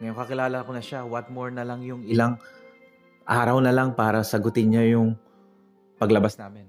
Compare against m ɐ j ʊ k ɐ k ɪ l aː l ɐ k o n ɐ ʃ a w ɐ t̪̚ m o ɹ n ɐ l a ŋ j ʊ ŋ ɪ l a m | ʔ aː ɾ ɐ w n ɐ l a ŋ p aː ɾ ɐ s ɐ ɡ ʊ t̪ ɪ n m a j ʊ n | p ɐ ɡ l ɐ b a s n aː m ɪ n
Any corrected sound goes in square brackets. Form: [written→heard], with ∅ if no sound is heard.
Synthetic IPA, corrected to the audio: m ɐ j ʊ k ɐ k ɪ l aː l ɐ k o n ɐ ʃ a w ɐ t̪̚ m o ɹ n ɐ l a ŋ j ʊ ŋ ɪ l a [m→ŋ] | ʔ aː ɾ ɐ w n ɐ l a ŋ p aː ɾ ɐ s ɐ ɡ ʊ t̪ ɪ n [m→ɲ] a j ʊ [n→ŋ] | p ɐ ɡ l ɐ b a s n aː m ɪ n